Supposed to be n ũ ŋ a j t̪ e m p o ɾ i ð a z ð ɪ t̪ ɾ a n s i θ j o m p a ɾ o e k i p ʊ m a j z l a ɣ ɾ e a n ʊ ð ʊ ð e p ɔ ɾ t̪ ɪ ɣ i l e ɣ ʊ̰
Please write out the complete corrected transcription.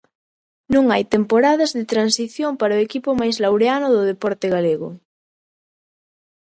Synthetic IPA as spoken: n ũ ŋ a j t̪ e m p o ɾ a ð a z ð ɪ t̪ ɾ a n s i θ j o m p a ɾ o e k i p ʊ m a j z l a w ɾ e a n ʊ ð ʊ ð e p ɔ ɾ t̪ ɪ ɣ a l e ɣ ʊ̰